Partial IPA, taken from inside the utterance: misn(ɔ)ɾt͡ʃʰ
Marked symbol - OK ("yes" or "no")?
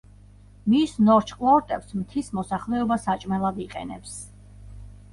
yes